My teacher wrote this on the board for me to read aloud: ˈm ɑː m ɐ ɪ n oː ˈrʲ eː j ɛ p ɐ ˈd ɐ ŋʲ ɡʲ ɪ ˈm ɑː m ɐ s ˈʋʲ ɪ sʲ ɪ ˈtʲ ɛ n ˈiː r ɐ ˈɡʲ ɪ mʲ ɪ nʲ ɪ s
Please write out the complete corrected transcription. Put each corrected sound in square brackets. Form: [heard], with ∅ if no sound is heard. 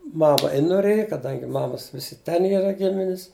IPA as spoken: ˈm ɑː m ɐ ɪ n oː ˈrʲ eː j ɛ [k] ɐ ˈd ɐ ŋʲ ɡʲ ɪ ˈm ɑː m ɐ s ˈʋʲ ɪ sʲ ɪ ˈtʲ ɛ n ˈiː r ɐ ˈɡʲ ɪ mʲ ɪ nʲ ɪ s